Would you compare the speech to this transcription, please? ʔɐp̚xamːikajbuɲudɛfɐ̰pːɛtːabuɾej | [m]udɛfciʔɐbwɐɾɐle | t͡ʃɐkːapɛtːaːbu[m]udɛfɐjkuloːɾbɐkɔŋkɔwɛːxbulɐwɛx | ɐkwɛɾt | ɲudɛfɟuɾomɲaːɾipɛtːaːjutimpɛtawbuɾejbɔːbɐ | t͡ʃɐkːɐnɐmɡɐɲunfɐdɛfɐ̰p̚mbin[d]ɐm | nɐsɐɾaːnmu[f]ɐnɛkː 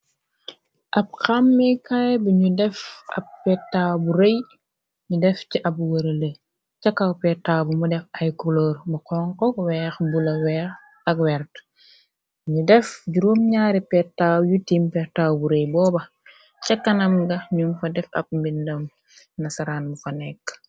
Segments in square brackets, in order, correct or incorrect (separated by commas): incorrect, correct, correct, correct